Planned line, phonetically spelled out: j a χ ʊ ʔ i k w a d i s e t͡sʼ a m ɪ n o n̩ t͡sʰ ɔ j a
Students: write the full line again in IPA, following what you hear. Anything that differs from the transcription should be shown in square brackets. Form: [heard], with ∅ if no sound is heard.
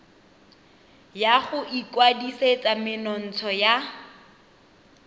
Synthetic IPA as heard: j a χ ʊ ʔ i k w a d i s e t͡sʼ a m ɪ n [ɔ] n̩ t͡sʰ ɔ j a